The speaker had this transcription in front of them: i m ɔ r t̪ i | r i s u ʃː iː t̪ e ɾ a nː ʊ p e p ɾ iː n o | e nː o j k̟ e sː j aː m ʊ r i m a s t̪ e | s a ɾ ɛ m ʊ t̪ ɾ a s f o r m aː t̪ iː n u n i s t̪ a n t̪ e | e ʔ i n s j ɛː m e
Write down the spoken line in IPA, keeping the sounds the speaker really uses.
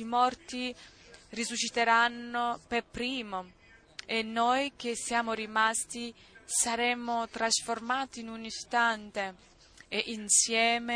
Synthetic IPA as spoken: i m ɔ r t̪ i | r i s u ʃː i t̪ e ɾ a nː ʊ p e p ɾ iː m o | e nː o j k̟ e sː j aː m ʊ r i m a s t̪ i | s a ɾ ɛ m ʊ t̪ ɾ a s f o r m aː t̪ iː n u n i s t̪ a n t̪ e | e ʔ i n s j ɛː m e